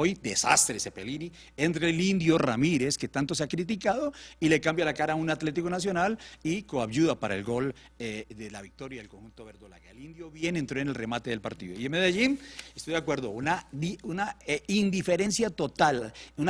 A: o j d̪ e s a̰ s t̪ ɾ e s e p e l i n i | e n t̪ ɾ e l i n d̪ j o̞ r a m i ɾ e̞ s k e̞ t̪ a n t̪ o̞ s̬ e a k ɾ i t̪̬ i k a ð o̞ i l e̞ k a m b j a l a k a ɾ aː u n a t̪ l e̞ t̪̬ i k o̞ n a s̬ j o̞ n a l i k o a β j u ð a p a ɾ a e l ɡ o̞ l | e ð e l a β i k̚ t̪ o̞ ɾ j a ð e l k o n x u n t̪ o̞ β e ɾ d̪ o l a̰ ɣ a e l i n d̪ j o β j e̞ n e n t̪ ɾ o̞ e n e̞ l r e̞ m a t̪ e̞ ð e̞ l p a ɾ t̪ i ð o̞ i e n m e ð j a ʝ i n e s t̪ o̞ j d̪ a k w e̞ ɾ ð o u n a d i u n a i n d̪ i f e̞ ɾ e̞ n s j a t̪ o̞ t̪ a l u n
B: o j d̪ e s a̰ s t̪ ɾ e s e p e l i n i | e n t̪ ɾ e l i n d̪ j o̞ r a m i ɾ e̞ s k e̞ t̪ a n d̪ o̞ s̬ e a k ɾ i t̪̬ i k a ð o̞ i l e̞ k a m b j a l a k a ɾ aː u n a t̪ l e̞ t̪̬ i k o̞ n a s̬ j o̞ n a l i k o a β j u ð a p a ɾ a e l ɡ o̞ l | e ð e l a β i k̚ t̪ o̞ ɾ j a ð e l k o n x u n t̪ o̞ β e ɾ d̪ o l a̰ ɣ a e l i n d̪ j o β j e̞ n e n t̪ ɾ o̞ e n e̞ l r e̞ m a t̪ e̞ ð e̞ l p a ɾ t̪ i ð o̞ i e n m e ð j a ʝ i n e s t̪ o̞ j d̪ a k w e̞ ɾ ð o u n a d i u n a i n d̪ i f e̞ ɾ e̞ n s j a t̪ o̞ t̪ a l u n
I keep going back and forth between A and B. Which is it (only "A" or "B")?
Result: A